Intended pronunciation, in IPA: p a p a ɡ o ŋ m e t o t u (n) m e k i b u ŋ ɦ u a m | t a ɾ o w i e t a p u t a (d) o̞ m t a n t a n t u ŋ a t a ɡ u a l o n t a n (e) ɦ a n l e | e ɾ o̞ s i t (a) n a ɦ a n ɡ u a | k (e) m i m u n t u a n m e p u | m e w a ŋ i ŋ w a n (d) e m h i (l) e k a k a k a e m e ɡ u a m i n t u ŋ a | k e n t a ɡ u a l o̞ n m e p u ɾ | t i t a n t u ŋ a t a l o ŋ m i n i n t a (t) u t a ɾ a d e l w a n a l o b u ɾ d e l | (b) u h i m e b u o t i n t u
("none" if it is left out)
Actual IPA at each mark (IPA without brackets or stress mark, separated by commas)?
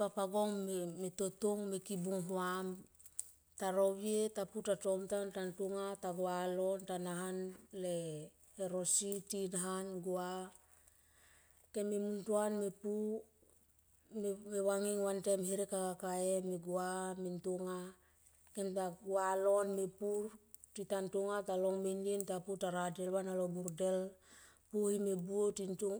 ŋ, t, a, i, e, t, ɾ, p, p